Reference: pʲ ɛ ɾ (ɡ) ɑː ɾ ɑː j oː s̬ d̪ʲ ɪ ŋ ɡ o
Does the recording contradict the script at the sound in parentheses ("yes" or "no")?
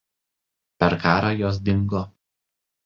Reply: yes